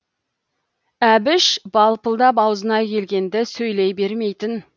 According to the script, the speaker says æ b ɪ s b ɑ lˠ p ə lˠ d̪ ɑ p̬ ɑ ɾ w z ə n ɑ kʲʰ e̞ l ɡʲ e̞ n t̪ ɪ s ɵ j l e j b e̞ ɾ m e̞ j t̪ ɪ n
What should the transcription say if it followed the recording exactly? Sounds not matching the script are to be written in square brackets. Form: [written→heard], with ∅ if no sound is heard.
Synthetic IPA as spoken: æ b ɪ [s→ʃ] b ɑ lˠ p ə lˠ d̪ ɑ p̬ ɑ [ɾ→∅] w z ə n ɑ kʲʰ e̞ l ɡʲ e̞ n [t̪→d̪] ɪ s ɵ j l e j b e̞ ɾ m e̞ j t̪ ɪ n